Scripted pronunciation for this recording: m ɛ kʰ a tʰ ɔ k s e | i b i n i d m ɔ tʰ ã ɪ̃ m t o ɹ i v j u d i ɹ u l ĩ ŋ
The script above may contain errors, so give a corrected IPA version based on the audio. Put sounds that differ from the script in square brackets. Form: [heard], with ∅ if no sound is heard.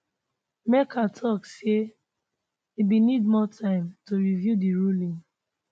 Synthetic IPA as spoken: m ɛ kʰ a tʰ ɔ k s e | i b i n i d m ɔ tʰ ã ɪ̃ m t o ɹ i v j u d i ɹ u l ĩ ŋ